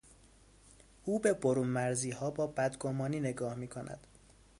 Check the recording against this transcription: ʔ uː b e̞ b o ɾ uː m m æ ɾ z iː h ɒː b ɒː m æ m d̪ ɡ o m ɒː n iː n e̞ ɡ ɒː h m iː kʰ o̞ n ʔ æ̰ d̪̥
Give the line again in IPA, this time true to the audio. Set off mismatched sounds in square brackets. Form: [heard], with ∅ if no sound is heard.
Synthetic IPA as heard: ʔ uː b e̞ b o ɾ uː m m æ ɾ z iː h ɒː b ɒː [b] æ [∅] d̪ ɡ o m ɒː n iː n e̞ ɡ ɒː h m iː kʰ o̞ n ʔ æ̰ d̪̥